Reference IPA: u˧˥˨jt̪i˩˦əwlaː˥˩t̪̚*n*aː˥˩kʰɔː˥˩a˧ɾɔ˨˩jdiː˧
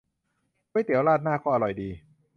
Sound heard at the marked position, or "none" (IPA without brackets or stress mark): n